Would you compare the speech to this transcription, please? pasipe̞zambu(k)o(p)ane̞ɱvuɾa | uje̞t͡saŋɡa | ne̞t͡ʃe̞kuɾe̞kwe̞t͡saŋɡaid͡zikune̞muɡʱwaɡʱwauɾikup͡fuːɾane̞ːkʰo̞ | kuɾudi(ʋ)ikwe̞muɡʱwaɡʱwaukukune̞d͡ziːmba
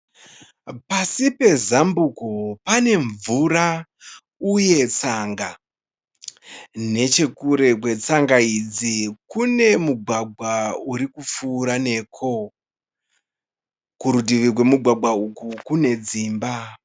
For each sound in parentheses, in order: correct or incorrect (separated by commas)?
correct, correct, correct